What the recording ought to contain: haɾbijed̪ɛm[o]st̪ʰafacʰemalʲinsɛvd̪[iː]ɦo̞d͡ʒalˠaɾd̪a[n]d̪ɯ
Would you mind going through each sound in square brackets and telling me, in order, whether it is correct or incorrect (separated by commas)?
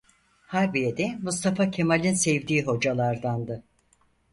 incorrect, correct, correct